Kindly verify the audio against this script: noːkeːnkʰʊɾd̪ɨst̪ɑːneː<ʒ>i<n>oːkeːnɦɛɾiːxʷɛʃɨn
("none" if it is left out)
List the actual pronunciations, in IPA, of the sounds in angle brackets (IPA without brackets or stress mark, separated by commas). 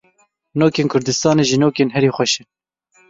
ʒ, n